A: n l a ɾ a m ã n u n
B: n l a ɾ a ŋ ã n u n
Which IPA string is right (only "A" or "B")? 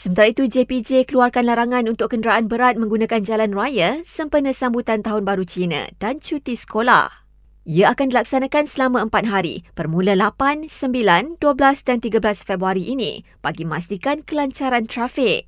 B